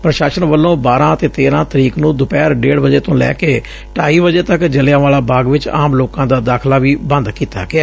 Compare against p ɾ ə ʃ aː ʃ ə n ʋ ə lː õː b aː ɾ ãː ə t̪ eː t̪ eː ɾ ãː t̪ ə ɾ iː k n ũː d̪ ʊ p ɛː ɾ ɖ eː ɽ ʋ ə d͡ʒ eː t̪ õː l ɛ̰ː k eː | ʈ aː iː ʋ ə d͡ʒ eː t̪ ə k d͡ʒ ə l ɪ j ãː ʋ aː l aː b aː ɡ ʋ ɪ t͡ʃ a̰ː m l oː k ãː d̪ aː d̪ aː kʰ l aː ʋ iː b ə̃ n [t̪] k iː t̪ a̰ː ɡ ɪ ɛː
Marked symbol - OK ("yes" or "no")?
no